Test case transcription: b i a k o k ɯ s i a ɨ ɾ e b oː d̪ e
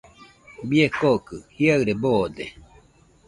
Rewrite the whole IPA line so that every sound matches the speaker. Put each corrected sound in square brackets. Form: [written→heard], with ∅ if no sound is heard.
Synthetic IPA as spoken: b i [a→e] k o k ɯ [s→h] i a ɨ ɾ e b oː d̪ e